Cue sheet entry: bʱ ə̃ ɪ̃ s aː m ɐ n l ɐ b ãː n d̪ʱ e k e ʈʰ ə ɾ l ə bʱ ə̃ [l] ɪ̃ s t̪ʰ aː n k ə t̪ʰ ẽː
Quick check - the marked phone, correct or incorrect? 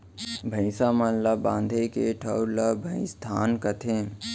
incorrect